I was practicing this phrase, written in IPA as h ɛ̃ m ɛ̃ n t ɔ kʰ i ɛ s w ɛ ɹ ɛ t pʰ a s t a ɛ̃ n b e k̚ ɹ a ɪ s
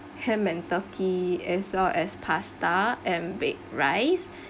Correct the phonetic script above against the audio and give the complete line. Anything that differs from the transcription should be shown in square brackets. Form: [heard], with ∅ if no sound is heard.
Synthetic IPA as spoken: h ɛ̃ m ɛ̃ n t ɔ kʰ i ɛ s w ɛ [l] ɛ [s] pʰ a s t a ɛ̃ n b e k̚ ɹ a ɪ s

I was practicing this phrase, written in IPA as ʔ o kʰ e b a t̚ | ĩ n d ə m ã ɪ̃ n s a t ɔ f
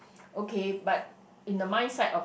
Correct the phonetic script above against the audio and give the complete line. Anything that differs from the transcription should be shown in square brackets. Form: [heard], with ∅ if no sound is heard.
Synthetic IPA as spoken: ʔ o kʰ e b a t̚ | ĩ n d ə m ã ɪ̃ n s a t ɔ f

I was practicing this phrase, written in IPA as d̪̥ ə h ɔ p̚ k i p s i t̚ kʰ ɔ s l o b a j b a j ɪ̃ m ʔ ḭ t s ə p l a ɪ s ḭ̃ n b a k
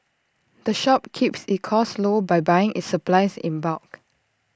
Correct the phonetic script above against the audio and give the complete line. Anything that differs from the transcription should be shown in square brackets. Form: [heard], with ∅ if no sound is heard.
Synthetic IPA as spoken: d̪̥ ə [ʃ] ɔ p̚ [kʰ] i p s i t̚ kʰ ɔ s l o b a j b a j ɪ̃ [ŋ] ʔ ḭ t s ə p l a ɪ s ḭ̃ n b a k

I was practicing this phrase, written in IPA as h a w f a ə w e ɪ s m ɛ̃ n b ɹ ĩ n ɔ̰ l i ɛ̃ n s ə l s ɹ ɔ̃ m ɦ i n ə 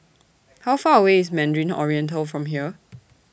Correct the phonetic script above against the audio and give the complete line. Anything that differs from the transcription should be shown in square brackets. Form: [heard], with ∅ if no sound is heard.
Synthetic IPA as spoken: h a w f a ə w e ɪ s m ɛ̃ n [d] ɹ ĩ n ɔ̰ [ɹ] i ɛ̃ n [t] ə l [f] ɹ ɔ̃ m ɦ i [∅] ə

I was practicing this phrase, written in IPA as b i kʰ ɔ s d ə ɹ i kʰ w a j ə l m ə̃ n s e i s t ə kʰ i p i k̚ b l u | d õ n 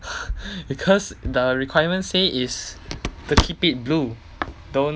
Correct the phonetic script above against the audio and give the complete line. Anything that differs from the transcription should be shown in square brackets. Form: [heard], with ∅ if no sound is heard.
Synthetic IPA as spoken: b i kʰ ɔ s d ə ɹ i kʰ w a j ə [∅] m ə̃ n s e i s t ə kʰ i p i [t̚] b l u | d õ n

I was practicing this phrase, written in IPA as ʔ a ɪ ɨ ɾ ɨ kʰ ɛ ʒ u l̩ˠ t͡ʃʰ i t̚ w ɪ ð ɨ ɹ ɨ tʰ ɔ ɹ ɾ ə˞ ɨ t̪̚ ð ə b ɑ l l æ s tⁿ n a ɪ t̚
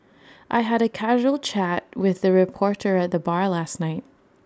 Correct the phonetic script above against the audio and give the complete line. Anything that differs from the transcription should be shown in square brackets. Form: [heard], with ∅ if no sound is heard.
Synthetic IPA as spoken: ʔ a ɪ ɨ ɾ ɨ kʰ [æ] ʒ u l̩ˠ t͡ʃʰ [æ] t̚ w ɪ ð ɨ ɹ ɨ [pʰ] ɔ ɹ ɾ ə˞ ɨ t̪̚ ð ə b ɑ [ɹ] l æ s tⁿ n a ɪ t̚

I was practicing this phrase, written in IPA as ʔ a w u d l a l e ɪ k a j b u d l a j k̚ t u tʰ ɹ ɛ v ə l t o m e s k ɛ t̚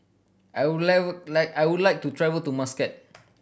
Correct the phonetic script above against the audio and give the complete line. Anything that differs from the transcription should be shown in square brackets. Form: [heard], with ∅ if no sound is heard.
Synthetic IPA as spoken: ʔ a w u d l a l [a] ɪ k a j [w] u d l a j k̚ t u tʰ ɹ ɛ v ə l t [u] m [a] s k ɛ t̚

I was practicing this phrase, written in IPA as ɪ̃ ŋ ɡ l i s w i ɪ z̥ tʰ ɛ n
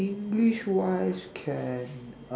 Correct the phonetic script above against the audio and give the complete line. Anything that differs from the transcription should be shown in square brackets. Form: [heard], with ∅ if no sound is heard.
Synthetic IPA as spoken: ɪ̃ ŋ ɡ l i [ʃ] w [a] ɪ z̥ [kʰ] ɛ n

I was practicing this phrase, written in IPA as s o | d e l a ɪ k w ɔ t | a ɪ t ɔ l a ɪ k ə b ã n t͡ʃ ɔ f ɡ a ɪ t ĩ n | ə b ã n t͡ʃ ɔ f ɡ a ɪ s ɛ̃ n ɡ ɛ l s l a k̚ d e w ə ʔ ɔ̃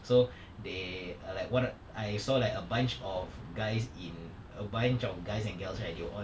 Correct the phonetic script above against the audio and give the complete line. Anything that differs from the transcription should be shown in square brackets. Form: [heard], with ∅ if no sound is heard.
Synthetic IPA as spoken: s o | d e l a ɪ k w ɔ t | a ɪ [s] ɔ l a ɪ k ə b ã n t͡ʃ ɔ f ɡ a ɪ [s] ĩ n | ə b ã n t͡ʃ ɔ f ɡ a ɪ s ɛ̃ n ɡ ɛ l s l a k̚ d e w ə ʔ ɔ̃

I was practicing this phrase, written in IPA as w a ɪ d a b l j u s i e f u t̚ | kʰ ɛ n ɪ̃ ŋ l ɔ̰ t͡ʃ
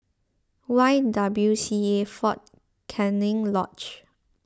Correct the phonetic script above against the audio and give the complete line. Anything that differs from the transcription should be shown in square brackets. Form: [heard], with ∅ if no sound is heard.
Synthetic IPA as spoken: w a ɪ d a b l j u s i e f [ɔ] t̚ | kʰ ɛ n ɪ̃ ŋ l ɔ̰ t͡ʃ

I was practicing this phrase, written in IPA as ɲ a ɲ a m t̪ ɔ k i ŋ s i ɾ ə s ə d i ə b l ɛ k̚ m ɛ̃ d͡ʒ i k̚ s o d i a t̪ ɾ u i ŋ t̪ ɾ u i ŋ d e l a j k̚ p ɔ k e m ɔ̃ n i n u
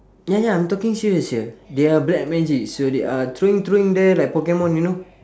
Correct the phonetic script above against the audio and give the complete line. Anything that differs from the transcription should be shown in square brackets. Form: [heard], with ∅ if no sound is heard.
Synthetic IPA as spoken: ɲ a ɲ a m t̪ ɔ k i ŋ s i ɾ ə s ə d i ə b l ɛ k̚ m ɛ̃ d͡ʒ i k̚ s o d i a t̪ ɾ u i ŋ t̪ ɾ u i ŋ d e l a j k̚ p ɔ k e m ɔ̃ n i n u

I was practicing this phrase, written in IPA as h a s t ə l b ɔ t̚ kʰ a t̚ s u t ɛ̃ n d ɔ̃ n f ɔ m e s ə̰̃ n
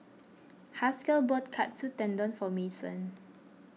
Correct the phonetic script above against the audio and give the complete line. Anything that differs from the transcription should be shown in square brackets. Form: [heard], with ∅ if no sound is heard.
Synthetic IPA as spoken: h a s [k] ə l b ɔ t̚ kʰ a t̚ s u t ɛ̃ n d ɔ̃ n f ɔ m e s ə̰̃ n

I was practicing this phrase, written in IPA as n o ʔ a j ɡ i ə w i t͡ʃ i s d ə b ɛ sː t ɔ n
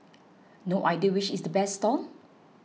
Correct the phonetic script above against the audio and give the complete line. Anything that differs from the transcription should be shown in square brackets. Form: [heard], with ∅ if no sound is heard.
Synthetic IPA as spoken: n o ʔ a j [d] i ə w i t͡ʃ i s d ə b ɛ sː t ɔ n

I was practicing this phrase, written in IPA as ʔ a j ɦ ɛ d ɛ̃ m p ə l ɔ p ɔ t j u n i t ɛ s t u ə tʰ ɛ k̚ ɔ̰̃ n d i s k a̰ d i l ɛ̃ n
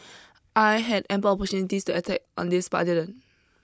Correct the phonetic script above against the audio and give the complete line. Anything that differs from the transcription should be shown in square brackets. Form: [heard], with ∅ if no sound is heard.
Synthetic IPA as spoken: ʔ a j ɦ ɛ d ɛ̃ m p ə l ɔ p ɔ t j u n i t [i] s t u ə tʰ ɛ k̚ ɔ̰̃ n d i s [p] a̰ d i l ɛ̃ n

